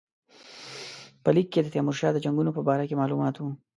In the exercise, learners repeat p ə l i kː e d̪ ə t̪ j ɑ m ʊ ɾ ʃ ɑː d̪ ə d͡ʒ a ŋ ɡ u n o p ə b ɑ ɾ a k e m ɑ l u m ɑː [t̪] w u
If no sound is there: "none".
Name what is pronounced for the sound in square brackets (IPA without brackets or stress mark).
t̪